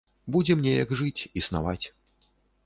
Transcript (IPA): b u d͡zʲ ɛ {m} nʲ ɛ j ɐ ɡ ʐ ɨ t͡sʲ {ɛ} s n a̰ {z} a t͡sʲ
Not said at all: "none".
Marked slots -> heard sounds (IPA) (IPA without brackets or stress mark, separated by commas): m, i, v